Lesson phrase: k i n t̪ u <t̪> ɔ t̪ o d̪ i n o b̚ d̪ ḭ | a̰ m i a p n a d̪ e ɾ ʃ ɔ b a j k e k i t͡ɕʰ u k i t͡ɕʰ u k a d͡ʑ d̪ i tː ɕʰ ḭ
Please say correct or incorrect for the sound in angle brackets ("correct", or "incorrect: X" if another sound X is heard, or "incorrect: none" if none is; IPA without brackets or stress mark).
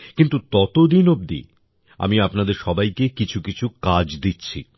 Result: correct